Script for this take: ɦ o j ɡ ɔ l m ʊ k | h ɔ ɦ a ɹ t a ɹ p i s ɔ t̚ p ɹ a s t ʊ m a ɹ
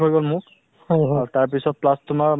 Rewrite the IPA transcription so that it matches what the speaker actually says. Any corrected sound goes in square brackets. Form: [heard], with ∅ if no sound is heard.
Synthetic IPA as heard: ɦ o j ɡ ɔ l m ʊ k | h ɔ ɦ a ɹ t a ɹ p i s ɔ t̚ p [l] a s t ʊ m a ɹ